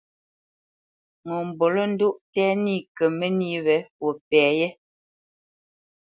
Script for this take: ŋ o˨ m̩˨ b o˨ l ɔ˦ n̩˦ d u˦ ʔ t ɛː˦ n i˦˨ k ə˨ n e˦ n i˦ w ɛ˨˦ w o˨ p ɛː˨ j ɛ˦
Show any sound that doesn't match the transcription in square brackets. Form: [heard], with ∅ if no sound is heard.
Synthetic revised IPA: ŋ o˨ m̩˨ b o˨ l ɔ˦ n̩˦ d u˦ ʔ t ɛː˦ n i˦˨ k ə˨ [m] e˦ n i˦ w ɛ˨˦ w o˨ p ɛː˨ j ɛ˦